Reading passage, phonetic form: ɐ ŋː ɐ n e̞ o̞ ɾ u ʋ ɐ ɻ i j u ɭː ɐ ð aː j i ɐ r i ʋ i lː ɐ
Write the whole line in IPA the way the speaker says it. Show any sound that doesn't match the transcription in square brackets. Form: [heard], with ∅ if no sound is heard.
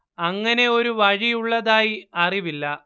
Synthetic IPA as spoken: ɐ ŋː ɐ n e̞ o̞ ɾ u ʋ ɐ ɻ i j u ɭː ɐ ð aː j i ɐ r i ʋ i lː ɐ